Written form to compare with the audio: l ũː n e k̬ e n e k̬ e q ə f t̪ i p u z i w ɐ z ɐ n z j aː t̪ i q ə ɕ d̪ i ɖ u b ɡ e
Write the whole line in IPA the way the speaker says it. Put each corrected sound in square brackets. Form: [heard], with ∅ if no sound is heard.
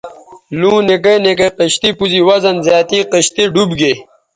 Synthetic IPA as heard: l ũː n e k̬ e n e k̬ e q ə [ɕ] t̪ i p u z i w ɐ z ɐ n z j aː t̪ i q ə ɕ [t̪] i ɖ u b ɡ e